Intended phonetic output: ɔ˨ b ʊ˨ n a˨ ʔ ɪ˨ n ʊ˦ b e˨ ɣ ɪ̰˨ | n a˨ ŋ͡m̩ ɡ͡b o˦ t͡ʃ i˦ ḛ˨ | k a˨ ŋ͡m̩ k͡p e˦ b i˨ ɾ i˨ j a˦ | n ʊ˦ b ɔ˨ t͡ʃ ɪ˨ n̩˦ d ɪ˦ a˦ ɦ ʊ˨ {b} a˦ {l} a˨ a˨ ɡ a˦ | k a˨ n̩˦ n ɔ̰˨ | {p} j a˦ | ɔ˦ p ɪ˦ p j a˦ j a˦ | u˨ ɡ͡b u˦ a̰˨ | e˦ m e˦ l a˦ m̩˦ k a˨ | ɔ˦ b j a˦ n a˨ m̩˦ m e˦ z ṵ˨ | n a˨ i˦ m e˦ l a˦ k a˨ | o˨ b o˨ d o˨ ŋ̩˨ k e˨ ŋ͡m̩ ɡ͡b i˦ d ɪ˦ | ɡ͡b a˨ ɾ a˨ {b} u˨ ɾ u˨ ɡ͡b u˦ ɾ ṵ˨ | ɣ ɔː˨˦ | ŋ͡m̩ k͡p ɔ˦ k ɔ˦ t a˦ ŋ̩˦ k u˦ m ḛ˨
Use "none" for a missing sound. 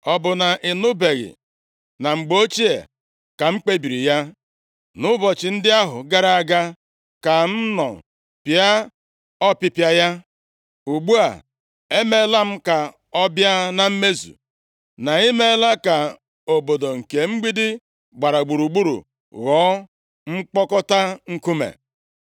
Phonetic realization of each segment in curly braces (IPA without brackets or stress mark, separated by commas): ɡ, ɾ, p, ɡ͡b